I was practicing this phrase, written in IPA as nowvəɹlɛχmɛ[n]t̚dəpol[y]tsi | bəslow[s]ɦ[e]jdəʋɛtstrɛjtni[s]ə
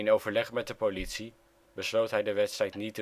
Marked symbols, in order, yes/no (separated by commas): no, no, no, no, no